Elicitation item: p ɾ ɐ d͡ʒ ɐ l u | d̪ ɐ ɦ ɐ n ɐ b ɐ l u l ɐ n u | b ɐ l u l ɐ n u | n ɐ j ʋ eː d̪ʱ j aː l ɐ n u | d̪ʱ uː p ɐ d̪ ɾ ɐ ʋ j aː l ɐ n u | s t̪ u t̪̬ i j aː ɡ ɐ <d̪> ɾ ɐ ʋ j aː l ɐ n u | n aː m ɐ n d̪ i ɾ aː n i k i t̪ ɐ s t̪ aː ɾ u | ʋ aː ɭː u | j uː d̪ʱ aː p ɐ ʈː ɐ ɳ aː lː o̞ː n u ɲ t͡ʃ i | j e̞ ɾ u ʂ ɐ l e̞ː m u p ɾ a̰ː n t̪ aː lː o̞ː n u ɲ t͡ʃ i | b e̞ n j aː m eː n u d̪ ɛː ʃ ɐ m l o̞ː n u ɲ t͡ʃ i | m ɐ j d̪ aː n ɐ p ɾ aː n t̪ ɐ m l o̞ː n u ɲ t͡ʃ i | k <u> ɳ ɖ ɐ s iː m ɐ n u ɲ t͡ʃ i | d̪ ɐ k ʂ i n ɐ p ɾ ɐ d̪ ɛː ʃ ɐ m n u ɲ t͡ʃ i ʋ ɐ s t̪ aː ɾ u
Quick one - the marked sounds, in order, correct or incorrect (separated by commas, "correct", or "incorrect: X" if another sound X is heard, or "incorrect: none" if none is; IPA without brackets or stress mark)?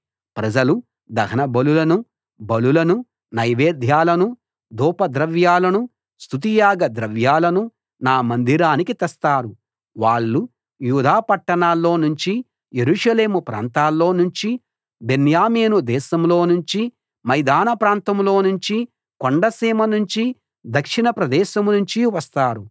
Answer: correct, incorrect: o